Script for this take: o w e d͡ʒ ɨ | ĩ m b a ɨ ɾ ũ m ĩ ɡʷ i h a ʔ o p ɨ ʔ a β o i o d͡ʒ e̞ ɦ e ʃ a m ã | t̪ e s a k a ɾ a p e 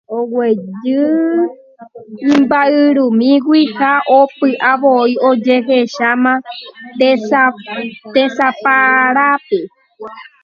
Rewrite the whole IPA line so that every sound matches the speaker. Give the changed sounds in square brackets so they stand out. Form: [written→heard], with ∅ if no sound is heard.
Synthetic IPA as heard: o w e d͡ʒ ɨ | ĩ m b a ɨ ɾ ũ m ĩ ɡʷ i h a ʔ o p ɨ ʔ a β o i o d͡ʒ e̞ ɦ e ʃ a m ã | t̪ e s a [k→p] a ɾ a p e